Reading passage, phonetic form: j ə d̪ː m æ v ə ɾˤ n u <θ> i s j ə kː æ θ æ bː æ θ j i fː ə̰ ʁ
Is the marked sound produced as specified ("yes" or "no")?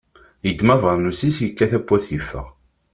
no